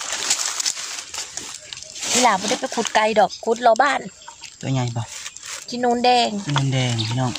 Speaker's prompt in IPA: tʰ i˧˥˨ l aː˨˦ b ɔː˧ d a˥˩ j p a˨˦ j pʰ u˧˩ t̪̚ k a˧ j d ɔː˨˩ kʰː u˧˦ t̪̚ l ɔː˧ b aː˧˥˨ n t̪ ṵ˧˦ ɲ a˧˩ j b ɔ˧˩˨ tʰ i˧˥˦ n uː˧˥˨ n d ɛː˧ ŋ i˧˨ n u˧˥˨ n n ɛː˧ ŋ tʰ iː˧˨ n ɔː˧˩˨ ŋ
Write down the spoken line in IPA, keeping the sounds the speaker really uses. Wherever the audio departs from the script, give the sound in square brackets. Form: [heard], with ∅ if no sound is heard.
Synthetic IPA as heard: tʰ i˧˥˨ l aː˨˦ b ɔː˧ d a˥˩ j p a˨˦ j [kʰ] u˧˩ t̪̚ k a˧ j d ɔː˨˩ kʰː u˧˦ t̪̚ l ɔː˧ b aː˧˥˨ n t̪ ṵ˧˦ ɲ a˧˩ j b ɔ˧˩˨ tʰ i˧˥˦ n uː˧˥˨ n d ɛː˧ ŋ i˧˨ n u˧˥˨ n [d] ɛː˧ ŋ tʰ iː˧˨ n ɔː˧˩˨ ŋ